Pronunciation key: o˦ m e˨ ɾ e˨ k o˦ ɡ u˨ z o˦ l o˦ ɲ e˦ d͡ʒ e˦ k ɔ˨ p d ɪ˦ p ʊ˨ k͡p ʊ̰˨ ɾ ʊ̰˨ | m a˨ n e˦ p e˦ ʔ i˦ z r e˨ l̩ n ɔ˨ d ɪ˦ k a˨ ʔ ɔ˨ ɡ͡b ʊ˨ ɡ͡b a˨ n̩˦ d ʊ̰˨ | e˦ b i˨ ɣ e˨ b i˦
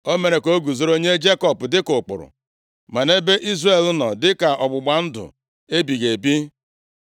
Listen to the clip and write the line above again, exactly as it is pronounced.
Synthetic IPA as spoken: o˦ m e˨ ɾ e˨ k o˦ ɡ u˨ z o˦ ɾ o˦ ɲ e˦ d͡ʒ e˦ k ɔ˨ p d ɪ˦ k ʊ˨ k͡p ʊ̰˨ ɾ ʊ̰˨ | m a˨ n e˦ b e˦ ʔ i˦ z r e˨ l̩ n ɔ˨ d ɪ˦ k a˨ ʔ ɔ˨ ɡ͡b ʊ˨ ɡ͡b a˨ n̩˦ d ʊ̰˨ | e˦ b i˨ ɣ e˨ b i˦